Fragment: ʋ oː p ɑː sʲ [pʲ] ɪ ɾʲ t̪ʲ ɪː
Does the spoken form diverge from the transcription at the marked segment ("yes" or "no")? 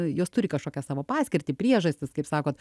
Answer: yes